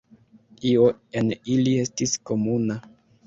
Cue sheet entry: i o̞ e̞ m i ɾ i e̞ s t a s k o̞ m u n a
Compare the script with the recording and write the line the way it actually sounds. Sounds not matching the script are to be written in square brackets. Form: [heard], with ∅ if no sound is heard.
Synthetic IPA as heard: i o̞ e̞ [n] i [l] i e̞ s t [i] s k o̞ m u n a